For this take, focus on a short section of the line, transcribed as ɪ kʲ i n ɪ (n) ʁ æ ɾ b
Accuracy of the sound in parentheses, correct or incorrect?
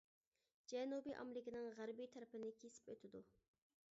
incorrect